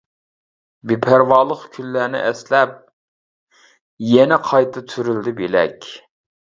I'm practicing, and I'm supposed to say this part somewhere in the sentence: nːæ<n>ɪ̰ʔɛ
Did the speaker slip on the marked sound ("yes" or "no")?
no